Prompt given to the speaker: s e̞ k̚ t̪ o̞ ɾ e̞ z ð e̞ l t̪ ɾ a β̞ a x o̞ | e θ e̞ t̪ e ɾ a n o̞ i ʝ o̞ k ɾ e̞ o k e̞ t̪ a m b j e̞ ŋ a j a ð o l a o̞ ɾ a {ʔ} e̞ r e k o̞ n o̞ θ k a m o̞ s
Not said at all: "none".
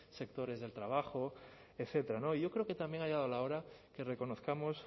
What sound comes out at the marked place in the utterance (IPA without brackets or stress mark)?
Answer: k